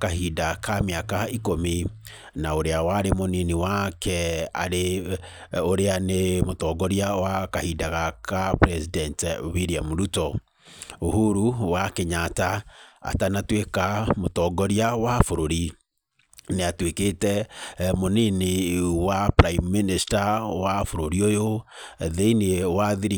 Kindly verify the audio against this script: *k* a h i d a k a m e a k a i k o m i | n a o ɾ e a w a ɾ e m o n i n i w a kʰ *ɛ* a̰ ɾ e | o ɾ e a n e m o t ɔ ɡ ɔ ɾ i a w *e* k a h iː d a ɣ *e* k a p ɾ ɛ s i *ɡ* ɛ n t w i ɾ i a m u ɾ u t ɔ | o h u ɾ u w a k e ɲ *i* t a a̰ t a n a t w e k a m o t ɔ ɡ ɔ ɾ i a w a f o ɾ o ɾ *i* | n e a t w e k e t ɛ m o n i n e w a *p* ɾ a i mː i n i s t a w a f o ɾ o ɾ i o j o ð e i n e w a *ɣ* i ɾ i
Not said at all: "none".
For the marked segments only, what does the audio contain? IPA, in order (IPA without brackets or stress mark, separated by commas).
k, ɛ, a, a, d, a, i, p, ð